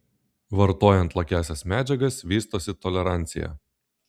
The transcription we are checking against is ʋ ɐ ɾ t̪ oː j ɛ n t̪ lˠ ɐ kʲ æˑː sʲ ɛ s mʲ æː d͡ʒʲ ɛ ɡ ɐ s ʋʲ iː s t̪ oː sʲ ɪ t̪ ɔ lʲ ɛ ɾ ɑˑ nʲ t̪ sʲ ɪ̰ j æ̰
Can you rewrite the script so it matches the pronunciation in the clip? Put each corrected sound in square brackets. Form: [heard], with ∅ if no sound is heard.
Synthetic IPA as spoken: ʋ ɐ ɾ t̪ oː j ɛ n t̪ lˠ ɐ kʲ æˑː sʲ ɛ s mʲ æː d͡ʒʲ ɛ ɡ ɐ s ʋʲ iː s t̪ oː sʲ ɪ t̪ ɔ lʲ ɛ ɾ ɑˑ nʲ t̪ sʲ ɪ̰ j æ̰